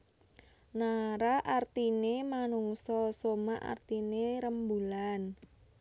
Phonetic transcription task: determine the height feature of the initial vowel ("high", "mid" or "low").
low